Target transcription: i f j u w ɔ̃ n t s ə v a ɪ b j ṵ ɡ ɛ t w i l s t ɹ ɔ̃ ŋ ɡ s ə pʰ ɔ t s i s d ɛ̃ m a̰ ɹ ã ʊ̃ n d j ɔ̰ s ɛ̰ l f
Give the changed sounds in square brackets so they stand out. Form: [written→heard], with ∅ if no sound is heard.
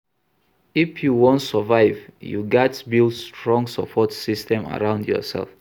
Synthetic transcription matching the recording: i f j u w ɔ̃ n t s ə v a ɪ [b→v] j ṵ ɡ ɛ t [w→b] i l s t ɹ ɔ̃ ŋ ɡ s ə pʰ ɔ t s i s [d→t] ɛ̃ m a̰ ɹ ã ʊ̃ n d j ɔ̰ s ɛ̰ l f